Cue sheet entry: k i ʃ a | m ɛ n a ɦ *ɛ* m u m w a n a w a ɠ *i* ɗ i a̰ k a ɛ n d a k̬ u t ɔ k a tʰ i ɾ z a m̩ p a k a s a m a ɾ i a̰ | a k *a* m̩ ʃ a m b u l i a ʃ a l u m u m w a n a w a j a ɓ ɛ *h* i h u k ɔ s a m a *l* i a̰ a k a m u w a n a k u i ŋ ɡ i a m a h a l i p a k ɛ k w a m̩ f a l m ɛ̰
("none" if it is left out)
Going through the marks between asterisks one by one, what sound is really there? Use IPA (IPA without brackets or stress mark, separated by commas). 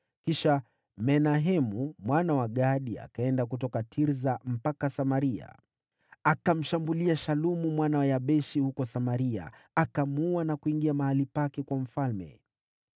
ɛ, a, a, ʃ, ɾ